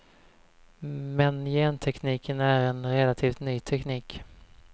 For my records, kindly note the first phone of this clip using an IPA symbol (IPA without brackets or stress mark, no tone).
m